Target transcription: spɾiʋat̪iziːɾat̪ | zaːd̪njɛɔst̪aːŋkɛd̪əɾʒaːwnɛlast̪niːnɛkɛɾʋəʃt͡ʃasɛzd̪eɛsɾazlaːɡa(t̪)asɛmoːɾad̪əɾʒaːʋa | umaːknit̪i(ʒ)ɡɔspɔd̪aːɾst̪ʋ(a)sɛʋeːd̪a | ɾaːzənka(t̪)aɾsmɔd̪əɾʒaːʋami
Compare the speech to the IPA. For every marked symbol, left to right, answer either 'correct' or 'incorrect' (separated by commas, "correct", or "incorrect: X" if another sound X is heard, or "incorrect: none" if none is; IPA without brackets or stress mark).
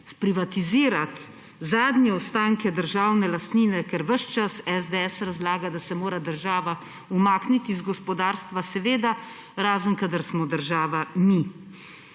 incorrect: d̪, incorrect: z, correct, incorrect: d̪